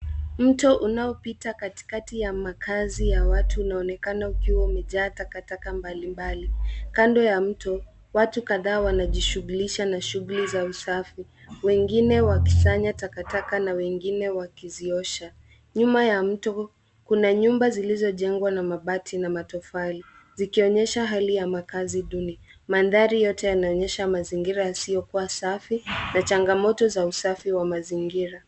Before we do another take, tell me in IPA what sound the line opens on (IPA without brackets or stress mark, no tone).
m̩